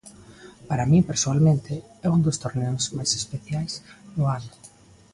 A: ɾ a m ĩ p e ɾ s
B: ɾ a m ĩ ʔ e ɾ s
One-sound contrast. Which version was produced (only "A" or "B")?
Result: A